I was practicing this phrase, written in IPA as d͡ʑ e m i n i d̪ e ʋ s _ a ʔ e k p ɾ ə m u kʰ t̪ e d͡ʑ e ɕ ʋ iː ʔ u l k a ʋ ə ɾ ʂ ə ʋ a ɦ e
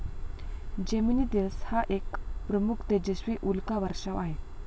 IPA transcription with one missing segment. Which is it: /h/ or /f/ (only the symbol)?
h